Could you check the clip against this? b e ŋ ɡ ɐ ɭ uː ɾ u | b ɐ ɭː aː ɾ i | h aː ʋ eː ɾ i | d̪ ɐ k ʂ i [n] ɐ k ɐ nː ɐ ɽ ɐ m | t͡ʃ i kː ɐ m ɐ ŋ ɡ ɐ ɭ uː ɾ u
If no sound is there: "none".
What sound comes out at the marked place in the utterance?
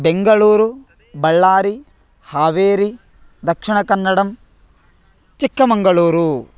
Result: ɳ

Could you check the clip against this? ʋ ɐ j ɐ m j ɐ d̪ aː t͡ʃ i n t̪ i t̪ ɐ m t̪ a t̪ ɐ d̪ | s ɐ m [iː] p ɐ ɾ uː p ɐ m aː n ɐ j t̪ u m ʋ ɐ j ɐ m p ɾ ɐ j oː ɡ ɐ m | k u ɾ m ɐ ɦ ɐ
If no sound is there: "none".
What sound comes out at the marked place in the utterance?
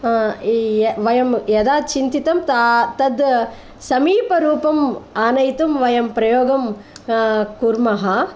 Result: iː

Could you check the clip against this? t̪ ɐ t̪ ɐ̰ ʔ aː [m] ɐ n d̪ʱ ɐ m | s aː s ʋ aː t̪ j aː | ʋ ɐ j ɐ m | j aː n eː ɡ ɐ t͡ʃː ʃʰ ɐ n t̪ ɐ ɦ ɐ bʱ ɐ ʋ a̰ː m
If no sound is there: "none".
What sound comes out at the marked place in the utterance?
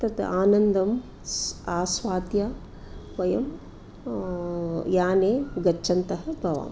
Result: n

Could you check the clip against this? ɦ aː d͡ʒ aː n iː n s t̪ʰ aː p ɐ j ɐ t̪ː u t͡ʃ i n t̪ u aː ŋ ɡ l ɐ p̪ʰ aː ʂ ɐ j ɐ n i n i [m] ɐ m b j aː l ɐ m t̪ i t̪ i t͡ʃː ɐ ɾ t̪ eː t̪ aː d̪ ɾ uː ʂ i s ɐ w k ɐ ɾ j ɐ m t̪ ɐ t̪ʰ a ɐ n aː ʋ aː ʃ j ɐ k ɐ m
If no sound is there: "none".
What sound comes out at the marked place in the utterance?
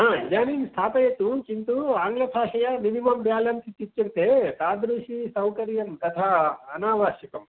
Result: m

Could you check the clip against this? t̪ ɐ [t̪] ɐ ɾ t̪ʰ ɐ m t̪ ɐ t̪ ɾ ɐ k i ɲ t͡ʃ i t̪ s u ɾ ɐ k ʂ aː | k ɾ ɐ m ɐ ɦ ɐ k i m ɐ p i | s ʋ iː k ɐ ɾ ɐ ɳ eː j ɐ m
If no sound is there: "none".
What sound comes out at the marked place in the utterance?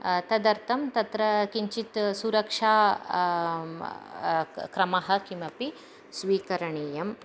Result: d̪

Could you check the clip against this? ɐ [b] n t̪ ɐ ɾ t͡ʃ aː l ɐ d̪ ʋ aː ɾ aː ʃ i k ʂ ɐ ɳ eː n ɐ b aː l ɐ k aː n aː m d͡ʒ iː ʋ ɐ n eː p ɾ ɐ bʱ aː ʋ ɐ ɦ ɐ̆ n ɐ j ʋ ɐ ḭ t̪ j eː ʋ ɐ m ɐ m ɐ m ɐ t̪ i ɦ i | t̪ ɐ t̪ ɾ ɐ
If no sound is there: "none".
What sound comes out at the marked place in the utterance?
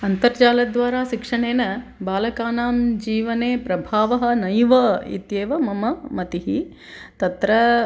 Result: none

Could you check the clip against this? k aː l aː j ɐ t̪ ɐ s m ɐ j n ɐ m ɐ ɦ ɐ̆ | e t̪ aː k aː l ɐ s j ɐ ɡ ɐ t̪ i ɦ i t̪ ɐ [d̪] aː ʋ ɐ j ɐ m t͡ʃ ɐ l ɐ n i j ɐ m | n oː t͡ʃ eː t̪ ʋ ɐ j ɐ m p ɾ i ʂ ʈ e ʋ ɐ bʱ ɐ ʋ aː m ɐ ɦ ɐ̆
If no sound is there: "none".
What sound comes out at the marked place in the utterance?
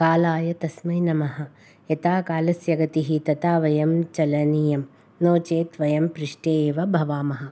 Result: t̪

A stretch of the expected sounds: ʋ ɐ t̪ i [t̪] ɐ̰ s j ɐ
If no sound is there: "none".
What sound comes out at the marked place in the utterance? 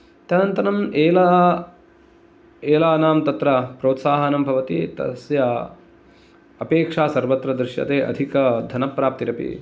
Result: t̪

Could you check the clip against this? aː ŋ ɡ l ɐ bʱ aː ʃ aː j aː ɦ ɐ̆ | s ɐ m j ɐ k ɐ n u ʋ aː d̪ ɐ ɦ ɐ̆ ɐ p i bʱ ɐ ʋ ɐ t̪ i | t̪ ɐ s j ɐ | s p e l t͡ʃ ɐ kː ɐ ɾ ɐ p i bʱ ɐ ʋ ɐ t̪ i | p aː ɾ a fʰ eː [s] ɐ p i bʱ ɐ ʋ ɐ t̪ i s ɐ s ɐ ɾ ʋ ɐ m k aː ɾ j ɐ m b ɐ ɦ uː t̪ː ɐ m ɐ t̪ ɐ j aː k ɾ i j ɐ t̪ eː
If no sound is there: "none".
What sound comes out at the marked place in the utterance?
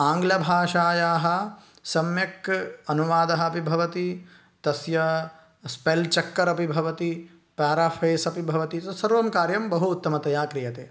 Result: s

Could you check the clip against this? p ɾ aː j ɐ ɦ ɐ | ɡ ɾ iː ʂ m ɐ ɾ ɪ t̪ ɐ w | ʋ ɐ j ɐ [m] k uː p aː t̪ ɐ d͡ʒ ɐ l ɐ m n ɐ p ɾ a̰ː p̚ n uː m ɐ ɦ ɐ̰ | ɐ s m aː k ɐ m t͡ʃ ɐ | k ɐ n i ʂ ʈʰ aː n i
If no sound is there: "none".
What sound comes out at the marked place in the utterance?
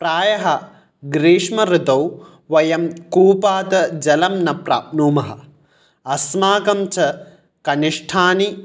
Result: m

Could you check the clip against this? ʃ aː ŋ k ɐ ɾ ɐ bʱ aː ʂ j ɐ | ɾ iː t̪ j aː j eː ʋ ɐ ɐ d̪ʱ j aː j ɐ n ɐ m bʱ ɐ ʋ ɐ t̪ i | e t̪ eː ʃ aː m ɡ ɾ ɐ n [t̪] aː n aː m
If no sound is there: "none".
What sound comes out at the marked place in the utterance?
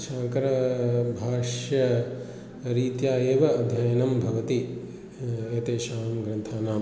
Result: t̪ʰ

